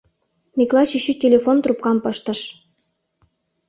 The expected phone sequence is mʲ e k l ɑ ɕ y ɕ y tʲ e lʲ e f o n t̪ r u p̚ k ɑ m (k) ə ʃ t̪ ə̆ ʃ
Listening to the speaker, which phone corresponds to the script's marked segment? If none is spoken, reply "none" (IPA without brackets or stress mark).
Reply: p